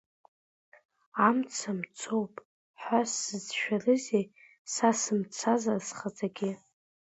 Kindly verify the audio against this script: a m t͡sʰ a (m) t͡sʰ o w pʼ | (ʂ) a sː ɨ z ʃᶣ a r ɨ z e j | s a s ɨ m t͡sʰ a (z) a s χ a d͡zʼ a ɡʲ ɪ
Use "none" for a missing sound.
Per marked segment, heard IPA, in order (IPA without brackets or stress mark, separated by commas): m, ħ, z